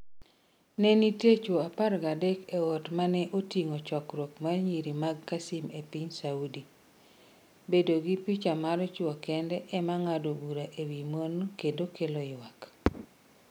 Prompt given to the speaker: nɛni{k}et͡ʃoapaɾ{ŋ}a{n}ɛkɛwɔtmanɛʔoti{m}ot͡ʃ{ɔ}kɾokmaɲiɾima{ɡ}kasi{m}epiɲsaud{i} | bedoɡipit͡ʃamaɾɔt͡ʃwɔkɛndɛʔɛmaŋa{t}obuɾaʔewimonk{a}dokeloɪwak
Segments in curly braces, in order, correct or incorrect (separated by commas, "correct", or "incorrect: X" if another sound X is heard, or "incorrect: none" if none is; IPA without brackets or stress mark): incorrect: t, incorrect: ɡ, incorrect: d, incorrect: ŋ, correct, correct, correct, correct, incorrect: d, incorrect: e